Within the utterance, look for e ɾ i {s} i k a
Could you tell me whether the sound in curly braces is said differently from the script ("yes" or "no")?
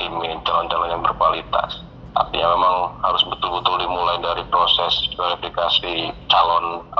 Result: yes